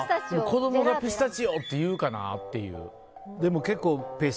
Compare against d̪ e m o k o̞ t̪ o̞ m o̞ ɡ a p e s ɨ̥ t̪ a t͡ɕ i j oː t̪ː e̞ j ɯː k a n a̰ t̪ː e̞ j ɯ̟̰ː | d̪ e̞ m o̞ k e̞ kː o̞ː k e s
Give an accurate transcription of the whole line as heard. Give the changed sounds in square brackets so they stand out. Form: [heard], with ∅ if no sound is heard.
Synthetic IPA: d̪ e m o k o̞ [d̪] o̞ m o̞ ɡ a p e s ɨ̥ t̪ a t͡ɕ i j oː t̪ː e̞ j ɯː k a n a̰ t̪ː e̞ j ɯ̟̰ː | d̪ e̞ m o̞ k e̞ kː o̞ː [p] e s